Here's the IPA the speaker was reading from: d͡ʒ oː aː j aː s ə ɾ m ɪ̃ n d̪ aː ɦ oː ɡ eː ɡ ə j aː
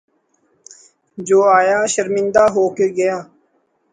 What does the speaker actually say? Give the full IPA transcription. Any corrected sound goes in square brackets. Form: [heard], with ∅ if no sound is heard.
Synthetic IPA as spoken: d͡ʒ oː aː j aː [ʃ] ə ɾ m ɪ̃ n d̪ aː ɦ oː [k] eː ɡ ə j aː